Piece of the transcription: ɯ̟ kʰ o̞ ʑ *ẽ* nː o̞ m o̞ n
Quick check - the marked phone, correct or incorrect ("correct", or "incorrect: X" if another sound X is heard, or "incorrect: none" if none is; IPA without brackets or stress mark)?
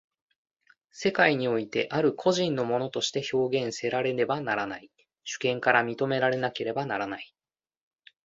incorrect: ĩ